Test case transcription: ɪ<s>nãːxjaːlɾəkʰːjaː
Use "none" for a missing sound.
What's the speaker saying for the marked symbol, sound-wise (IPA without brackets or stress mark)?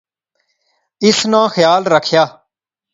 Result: s